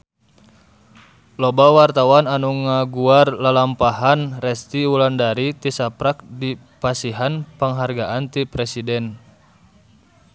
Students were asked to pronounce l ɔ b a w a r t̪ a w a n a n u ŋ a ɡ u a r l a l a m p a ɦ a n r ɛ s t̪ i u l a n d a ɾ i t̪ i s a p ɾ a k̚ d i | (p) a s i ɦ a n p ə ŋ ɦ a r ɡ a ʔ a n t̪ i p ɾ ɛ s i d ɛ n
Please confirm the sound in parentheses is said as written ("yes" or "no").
yes